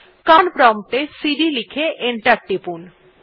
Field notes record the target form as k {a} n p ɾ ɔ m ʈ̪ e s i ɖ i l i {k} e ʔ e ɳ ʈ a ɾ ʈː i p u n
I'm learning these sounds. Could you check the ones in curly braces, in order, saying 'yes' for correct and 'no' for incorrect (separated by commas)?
yes, no